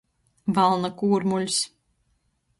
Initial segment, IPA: v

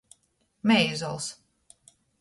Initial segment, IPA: m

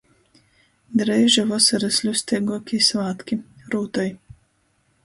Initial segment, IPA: d̪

